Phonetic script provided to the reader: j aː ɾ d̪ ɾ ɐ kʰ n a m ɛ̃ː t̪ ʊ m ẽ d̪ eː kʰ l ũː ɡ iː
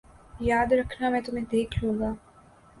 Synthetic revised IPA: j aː d̪ ɾ ɐ kʰ n a m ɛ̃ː t̪ ʊ m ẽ d̪ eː kʰ l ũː ɡ aː